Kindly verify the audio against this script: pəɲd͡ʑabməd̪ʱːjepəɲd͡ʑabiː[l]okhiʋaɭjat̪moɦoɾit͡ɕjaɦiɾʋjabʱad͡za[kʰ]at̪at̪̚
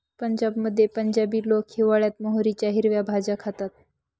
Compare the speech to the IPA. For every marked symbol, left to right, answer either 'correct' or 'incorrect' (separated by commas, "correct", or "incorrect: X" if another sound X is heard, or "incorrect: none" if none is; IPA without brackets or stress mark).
correct, correct